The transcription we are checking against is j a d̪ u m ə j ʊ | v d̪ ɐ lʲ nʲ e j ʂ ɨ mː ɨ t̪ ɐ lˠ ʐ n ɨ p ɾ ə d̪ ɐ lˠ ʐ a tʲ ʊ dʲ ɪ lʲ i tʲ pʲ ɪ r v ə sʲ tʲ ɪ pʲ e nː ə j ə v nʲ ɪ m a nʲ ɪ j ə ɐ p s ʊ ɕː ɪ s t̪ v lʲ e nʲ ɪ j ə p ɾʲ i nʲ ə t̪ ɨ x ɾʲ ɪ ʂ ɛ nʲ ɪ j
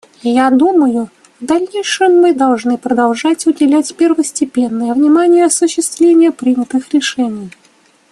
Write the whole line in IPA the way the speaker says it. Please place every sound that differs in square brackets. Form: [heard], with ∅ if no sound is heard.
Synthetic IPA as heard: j a d̪ u m ə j ʊ | v d̪ ɐ lʲ nʲ e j ʂ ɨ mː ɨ [d̪] ɐ lˠ ʐ n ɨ p ɾ ə d̪ ɐ lˠ ʐ a tʲ ʊ dʲ ɪ lʲ [æ] tʲ pʲ ɪ r v ə sʲ tʲ ɪ pʲ e nː ə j ə v nʲ ɪ m a nʲ ɪ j ə ɐ [∅] s ʊ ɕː ɪ s t̪ v lʲ e nʲ ɪ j ə p ɾʲ i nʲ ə t̪ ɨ x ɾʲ ɪ ʂ ɛ nʲ ɪ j